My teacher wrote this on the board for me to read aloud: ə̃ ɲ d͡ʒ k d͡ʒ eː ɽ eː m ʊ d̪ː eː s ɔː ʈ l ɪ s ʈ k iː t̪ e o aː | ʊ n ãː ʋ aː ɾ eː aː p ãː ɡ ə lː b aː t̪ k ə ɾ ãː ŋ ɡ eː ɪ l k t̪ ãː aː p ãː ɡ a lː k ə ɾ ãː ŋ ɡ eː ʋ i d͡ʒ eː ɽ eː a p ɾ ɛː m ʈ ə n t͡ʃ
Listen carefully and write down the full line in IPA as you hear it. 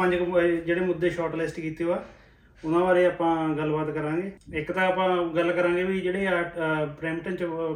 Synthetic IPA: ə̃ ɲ d͡ʒ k d͡ʒ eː ɽ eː m ʊ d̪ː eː ʃ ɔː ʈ l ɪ s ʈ k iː t̪ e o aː | ʊ n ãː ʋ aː ɾ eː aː p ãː ɡ ə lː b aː t̪ k ə ɾ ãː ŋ ɡ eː ɪ k t̪ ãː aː p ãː ɡ ə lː k ə ɾ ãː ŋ ɡ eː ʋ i d͡ʒ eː ɽ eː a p ɾ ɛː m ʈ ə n t͡ʃ